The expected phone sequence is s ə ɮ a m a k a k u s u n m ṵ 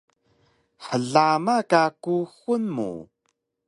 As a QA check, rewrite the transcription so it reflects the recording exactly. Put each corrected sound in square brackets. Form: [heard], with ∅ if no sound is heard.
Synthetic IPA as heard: [ħ] ə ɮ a m a k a k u [x] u n m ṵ